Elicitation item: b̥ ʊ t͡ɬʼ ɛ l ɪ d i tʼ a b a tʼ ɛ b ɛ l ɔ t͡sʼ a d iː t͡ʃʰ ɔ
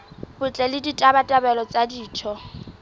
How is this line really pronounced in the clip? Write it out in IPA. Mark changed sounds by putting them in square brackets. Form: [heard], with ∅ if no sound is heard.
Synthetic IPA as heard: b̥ ʊ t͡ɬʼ ɛ l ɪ d i tʼ a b a tʼ [a] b ɛ l ɔ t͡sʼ a d iː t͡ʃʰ ɔ